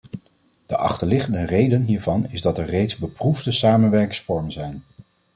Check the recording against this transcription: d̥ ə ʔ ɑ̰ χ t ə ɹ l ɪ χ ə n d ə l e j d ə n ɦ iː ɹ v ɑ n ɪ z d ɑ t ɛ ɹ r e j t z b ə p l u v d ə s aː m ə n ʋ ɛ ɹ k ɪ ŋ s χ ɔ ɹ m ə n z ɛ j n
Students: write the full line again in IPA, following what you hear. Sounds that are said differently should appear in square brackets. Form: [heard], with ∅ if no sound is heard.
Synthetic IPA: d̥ ə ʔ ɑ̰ χ t ə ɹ l ɪ χ ə n d ə [r] e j d ə n ɦ iː ɹ v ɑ n ɪ z d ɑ t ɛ ɹ r e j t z b ə p [r] u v d ə s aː m ə n ʋ ɛ ɹ k ɪ ŋ s [f] ɔ ɹ m ə n z ɛ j n